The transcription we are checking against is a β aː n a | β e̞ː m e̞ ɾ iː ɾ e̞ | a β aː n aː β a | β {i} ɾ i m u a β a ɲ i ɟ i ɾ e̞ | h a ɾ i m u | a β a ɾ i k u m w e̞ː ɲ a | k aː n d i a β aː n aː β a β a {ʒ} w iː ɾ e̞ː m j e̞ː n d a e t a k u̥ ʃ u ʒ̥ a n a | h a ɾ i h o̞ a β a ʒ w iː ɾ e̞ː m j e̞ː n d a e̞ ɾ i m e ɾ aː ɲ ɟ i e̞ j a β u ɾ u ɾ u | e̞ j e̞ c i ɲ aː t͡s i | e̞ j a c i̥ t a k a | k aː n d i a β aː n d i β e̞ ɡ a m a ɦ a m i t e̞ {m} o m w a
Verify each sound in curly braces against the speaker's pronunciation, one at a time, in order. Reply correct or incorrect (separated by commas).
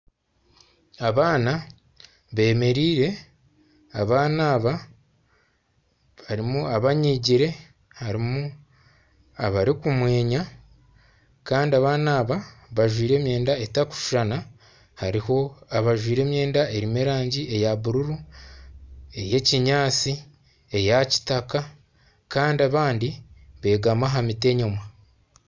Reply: incorrect, correct, incorrect